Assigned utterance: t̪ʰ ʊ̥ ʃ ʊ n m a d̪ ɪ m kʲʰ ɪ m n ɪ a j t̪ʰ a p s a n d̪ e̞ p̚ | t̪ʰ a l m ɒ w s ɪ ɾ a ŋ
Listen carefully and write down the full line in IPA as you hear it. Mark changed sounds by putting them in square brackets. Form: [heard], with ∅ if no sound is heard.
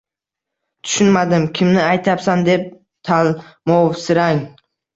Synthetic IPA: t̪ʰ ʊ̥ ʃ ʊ n m a d̪ ɪ m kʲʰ ɪ m n ɪ a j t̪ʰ a p s a n d̪ e̞ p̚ | t̪ʰ a l m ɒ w s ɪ ɾ a ŋ